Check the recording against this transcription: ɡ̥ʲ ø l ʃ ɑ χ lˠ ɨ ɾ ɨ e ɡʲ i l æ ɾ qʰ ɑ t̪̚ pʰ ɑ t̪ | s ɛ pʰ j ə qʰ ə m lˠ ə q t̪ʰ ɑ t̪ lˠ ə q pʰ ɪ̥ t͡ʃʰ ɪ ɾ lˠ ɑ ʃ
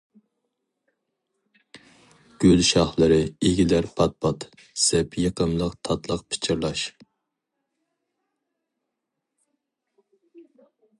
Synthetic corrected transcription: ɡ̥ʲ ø l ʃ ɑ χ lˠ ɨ ɾ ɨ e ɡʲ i l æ ɾ pʰ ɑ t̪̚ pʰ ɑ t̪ | s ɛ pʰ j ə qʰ ə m lˠ ə q t̪ʰ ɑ t̪ lˠ ə q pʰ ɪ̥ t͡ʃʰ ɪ ɾ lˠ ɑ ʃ

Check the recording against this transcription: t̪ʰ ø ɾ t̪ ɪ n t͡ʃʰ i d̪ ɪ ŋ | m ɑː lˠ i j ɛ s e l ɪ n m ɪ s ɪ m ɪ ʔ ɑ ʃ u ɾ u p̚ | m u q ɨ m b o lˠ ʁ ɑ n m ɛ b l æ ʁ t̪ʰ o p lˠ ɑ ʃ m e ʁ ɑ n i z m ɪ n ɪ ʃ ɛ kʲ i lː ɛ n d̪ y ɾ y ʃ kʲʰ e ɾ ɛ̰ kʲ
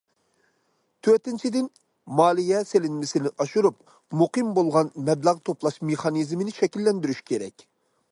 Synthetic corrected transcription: t̪ʰ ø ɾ t̪ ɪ n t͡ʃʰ i d̪ ɪ n | m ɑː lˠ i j ɛ s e l ɪ n m ɪ s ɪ n ɪ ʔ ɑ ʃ u ɾ u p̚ | m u q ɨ m b o lˠ ʁ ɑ n m ɛ b l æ ʁ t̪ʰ o p lˠ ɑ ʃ m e χ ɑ n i z m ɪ n ɪ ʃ ɛ kʲ i lː ɛ n d̪ y ɾ y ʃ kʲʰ e ɾ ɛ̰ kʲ

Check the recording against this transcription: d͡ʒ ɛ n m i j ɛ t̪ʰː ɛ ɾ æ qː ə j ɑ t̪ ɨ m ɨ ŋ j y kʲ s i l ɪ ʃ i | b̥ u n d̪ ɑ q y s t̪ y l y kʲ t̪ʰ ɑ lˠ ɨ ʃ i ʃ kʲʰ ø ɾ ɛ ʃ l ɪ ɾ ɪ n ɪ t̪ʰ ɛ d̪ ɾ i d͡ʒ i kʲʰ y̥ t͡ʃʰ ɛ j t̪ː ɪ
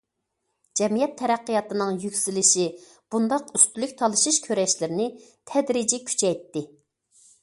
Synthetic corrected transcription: d͡ʒ ɛ m i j ɛ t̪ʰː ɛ ɾ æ qː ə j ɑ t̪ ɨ n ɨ ŋ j y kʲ s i l ɪ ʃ i | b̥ u n d̪ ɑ q y s t̪ y l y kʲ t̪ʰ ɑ lˠ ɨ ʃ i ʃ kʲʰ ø ɾ ɛ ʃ l ɪ ɾ ɪ n ɪ t̪ʰ ɛ d̪ ɾ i d͡ʒ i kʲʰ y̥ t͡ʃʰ ɛ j t̪ː ɪ

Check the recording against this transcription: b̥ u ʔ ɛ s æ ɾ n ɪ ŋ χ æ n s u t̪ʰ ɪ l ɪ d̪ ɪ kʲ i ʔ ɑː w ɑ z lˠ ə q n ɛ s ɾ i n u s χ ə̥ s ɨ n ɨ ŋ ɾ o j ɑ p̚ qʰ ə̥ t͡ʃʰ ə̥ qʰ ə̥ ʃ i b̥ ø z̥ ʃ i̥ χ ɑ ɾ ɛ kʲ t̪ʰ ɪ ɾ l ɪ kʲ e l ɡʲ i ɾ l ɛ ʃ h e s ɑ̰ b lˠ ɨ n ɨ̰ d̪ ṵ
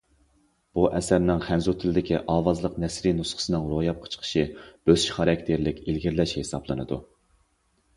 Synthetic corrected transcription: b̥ u ʔ ɛ s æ ɾ n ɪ ŋ χ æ n z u t̪ʰ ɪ l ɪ d̪ ɪ kʲ i ʔ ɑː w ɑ z lˠ ə q n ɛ s ɾ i n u s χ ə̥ s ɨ n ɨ ŋ ɾ o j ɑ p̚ qʰ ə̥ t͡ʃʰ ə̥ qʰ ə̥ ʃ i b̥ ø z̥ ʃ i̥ χ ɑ ɾ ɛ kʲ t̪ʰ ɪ ɾ l ɪ kʲ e l ɡʲ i ɾ l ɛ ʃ h e s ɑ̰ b lˠ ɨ n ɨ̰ d̪ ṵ

